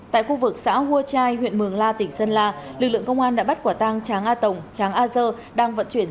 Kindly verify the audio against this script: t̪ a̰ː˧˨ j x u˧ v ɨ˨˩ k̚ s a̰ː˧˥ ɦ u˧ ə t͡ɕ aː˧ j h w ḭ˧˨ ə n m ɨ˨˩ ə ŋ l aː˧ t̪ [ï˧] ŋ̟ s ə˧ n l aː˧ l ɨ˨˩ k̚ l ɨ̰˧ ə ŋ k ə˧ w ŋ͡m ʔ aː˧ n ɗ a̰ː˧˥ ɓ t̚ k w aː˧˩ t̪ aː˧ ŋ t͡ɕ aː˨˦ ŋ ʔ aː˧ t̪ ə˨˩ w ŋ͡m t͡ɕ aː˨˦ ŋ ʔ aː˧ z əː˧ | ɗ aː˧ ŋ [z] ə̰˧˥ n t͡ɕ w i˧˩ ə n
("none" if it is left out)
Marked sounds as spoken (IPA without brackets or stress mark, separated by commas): ï˧˩, v